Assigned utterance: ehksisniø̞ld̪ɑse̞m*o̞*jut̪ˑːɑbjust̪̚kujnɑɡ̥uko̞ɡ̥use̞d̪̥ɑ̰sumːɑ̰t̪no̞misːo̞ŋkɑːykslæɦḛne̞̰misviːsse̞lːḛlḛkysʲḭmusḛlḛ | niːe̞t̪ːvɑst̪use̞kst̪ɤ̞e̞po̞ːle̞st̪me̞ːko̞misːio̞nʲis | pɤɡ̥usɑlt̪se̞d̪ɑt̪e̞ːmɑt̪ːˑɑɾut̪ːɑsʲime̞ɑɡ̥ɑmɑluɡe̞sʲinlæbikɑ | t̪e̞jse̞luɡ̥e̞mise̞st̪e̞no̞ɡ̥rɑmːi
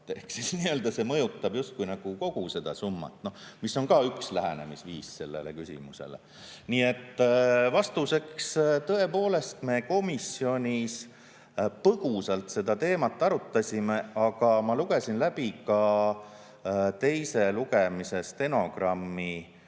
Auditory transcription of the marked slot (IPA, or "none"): ɤ̞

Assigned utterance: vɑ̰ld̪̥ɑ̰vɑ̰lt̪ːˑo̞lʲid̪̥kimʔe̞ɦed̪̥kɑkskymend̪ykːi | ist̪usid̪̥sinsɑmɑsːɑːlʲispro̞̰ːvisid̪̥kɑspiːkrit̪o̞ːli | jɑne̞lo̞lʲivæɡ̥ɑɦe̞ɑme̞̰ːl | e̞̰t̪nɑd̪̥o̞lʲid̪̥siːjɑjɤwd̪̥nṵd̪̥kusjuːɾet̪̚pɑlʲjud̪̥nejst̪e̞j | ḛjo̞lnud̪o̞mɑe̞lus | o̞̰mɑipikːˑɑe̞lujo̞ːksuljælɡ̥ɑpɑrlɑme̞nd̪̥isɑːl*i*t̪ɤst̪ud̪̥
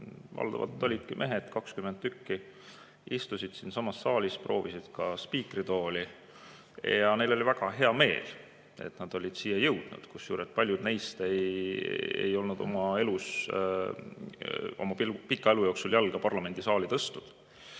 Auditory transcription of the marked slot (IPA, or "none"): i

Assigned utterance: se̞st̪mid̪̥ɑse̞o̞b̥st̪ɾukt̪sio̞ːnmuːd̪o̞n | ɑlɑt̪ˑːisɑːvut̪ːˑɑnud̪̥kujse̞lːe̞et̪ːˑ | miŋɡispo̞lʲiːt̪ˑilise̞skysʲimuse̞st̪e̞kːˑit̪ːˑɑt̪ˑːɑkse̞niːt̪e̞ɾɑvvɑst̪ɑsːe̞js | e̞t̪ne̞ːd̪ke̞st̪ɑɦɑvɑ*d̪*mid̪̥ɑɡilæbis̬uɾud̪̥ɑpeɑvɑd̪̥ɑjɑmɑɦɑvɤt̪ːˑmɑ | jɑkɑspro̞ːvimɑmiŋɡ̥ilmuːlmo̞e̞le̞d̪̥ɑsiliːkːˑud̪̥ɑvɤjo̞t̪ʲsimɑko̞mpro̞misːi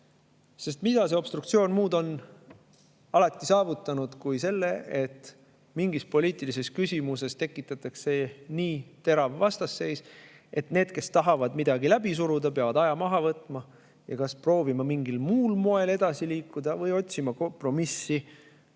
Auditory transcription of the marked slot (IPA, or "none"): d̪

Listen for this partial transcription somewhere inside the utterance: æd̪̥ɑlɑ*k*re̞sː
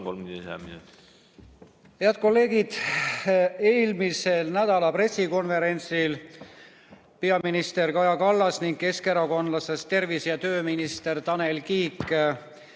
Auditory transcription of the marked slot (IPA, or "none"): p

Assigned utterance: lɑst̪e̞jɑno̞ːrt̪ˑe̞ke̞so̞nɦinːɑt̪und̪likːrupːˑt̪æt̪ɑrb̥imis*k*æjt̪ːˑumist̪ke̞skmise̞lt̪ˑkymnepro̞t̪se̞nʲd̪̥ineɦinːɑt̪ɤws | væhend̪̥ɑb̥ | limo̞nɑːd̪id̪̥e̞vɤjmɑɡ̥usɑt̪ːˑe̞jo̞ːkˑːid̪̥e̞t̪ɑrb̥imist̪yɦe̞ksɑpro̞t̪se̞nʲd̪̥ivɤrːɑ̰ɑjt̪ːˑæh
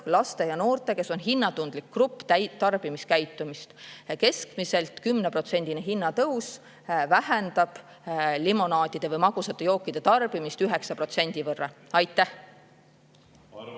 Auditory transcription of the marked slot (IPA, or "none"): k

